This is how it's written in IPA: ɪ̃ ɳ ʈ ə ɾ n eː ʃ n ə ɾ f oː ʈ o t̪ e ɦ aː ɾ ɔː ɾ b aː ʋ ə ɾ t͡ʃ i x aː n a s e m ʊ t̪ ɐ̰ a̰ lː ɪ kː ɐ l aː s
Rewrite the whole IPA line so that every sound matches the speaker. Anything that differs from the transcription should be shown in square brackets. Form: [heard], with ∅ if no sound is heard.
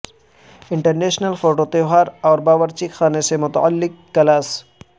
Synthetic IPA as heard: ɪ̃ ɳ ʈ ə ɾ n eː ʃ n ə [l] f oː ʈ o t̪ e ɦ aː ɾ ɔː ɾ b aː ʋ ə ɾ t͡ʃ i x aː n [e] s e m ʊ t̪ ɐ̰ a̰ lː ɪ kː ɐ l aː s